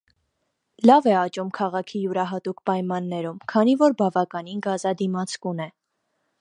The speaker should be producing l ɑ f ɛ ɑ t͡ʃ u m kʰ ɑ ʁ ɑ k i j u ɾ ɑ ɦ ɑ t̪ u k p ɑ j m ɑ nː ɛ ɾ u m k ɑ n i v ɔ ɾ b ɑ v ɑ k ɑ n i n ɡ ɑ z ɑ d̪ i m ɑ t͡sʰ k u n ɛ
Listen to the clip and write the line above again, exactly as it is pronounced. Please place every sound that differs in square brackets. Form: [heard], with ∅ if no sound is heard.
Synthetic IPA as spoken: l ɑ [v] ɛ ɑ t͡ʃ u m kʰ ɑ ʁ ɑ [kʰ] i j u ɾ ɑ ɦ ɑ t̪ u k p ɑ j m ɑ nː ɛ ɾ u m [kʰ] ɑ n i v ɔ ɾ b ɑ v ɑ k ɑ n i n ɡ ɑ z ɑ d̪ i m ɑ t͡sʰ k u n ɛ